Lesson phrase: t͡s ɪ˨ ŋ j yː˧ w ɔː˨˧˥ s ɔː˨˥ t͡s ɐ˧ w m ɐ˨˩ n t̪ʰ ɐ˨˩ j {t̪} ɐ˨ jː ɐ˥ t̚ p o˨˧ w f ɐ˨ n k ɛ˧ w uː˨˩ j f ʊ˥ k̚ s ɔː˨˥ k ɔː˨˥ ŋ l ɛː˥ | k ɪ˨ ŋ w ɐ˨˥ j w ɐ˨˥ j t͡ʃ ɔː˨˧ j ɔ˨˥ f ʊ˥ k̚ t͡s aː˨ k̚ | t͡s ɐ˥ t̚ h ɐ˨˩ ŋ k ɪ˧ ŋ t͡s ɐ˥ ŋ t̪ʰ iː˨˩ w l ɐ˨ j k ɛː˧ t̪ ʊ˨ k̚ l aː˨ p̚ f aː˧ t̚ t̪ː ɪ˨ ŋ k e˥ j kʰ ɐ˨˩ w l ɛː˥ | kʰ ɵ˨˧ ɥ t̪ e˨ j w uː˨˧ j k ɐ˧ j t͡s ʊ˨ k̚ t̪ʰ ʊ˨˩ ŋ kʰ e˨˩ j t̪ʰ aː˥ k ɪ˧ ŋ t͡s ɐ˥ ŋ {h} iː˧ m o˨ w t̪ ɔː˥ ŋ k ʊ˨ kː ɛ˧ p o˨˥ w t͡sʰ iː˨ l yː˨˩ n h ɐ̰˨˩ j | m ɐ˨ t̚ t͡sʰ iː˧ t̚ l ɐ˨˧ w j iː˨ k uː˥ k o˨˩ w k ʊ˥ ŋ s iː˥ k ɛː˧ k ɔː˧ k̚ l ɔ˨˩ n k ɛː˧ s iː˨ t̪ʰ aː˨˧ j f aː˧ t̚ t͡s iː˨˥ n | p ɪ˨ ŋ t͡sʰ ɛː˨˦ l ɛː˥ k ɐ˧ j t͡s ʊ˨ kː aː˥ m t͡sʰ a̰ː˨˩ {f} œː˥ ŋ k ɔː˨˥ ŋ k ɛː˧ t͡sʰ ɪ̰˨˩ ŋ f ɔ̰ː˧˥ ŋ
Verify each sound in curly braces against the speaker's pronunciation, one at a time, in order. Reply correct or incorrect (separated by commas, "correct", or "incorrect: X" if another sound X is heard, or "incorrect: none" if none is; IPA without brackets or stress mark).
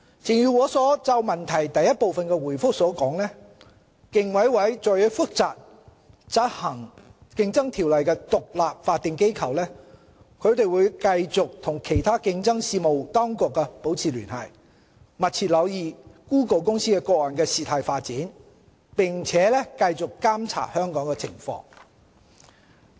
correct, incorrect: s, incorrect: h